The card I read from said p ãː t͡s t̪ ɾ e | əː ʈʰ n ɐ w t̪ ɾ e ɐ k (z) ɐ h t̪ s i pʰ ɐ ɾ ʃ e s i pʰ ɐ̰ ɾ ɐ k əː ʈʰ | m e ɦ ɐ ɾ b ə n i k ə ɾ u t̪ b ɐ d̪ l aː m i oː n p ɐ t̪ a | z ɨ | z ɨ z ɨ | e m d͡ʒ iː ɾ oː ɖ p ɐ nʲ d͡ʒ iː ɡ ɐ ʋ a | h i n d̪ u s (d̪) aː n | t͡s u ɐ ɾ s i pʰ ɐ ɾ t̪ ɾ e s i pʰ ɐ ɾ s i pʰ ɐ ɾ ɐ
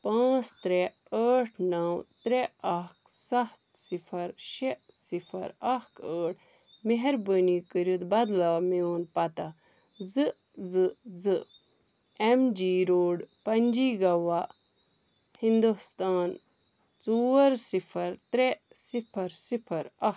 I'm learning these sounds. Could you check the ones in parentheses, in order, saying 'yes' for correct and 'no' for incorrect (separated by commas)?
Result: no, no